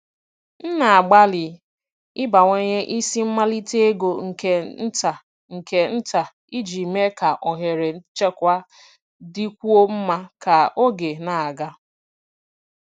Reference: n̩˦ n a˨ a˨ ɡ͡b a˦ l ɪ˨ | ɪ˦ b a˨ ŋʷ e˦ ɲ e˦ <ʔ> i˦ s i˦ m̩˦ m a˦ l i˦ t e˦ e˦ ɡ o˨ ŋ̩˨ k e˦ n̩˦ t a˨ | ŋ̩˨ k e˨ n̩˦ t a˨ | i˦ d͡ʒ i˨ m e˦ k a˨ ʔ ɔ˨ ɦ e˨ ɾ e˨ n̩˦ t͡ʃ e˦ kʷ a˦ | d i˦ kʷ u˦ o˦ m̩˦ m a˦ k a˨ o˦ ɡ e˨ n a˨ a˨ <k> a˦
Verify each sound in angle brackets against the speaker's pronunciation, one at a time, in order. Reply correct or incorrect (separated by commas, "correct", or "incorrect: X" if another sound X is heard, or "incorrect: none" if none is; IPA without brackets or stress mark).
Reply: correct, incorrect: ɡ